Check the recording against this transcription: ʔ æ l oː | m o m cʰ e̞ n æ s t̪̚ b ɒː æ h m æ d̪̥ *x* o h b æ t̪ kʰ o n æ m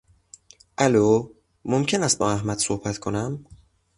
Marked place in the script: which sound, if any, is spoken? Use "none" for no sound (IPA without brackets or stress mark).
s